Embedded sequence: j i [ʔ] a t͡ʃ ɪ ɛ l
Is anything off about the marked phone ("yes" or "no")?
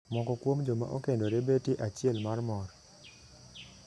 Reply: no